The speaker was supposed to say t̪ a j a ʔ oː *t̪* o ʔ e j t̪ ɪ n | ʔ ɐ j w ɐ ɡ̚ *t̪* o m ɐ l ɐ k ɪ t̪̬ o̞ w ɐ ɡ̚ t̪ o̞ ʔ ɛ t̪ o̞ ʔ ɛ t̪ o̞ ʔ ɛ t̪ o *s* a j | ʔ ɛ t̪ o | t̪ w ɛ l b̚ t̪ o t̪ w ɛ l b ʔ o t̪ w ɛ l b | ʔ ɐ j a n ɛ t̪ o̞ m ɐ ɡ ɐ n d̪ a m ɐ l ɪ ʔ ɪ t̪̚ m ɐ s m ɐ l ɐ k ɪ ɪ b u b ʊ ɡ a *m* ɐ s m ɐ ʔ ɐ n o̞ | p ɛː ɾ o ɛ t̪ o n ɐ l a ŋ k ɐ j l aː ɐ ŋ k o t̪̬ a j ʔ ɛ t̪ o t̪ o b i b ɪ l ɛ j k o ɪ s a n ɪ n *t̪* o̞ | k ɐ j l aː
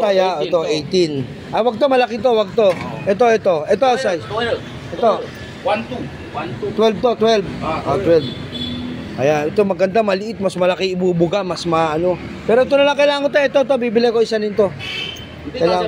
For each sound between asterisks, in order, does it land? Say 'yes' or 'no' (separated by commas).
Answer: yes, yes, yes, yes, yes